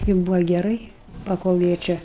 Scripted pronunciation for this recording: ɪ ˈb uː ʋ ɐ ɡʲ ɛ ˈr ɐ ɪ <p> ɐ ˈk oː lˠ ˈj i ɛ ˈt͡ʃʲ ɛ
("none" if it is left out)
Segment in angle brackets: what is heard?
p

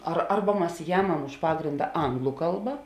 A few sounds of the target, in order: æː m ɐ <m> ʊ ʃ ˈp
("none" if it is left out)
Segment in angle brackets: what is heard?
m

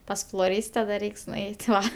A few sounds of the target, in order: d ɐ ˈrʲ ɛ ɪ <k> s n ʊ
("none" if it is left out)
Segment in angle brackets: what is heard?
k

